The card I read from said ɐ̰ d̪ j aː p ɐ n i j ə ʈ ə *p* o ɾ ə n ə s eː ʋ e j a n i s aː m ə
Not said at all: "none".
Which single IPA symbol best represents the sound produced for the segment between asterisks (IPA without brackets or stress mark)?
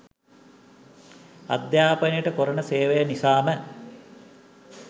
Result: k